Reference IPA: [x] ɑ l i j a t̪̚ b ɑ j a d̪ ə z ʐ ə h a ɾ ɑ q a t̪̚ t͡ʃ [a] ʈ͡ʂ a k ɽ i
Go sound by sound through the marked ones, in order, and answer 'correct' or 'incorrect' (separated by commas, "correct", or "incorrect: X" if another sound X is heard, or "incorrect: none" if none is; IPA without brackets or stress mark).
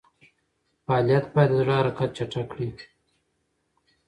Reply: incorrect: f, correct